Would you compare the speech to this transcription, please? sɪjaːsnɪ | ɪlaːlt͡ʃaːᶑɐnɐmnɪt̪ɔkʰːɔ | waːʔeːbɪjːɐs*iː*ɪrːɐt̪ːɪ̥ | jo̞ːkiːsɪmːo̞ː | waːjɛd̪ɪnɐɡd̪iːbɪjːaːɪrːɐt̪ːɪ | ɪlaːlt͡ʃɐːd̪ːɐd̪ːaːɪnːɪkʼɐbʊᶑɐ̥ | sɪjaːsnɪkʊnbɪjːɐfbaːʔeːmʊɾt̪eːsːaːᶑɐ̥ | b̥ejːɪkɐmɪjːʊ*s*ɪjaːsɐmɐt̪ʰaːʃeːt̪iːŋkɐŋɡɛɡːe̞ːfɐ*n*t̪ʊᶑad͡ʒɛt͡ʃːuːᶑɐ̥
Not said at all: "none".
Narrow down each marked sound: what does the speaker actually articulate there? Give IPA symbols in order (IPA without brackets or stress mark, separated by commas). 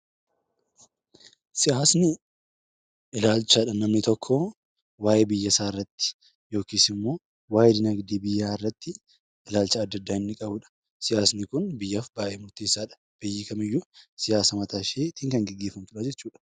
aː, s, m